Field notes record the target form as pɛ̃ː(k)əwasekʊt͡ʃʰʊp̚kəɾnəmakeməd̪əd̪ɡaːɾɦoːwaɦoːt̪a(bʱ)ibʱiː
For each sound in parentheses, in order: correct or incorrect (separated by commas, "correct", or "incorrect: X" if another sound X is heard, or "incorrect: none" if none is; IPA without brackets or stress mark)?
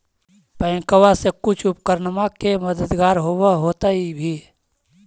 correct, incorrect: none